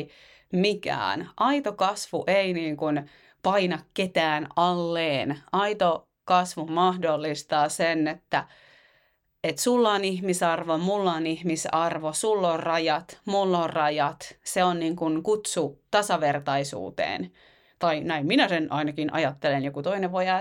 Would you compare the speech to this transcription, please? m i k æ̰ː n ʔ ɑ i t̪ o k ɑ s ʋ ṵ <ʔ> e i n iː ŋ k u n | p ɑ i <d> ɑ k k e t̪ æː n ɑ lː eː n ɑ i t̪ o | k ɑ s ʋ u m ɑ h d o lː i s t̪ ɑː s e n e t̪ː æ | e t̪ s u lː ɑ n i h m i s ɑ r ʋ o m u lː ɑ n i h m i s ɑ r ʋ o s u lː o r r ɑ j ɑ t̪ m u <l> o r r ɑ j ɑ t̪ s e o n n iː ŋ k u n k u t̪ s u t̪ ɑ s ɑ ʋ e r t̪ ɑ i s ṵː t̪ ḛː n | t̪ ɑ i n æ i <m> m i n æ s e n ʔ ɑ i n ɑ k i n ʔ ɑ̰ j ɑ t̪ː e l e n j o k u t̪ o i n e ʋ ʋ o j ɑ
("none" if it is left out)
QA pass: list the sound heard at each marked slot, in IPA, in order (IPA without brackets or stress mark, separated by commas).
ʔ, n, lː, m